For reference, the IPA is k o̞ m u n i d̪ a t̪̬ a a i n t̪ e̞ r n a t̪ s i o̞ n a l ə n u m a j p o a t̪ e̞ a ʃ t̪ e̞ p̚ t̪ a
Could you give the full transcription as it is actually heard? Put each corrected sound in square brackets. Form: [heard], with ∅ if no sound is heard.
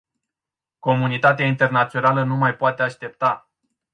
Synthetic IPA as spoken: k o̞ m u n i [t̪] a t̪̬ [e] a i n t̪ e̞ r n a t̪ s i o̞ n a l ə n u m a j p o a t̪ e̞ a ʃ t̪ e̞ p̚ t̪ a